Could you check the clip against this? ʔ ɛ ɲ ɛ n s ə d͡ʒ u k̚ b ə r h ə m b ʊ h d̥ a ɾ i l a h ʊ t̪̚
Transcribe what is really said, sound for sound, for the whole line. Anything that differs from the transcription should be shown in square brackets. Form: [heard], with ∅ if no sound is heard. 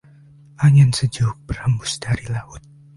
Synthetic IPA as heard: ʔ [a] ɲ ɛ n s ə d͡ʒ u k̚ b ə r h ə m b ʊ [s] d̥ a ɾ i l a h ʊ t̪̚